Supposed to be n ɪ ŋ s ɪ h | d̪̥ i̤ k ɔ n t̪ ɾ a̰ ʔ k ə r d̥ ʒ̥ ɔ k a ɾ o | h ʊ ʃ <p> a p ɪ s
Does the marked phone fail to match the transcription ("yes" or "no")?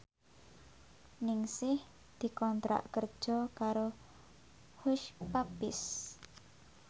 no